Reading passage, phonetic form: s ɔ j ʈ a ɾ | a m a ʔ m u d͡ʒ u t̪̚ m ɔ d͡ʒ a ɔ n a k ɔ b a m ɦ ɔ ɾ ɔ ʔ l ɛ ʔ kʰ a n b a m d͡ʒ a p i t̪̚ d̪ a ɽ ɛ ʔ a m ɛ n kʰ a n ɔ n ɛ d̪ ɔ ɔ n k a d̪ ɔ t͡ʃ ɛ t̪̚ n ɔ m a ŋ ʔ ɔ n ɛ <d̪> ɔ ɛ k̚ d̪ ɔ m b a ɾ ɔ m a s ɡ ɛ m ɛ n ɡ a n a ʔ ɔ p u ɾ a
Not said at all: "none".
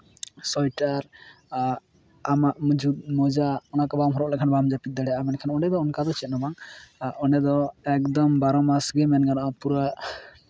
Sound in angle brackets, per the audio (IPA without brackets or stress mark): d̪